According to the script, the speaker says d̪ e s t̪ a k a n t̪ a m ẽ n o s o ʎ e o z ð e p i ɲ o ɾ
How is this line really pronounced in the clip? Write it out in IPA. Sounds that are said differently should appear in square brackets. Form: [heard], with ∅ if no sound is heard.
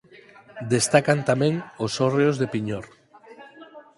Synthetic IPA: d̪ e s t̪ a k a n t̪ a m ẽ [ŋ] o s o [r] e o z ð e p i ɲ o ɾ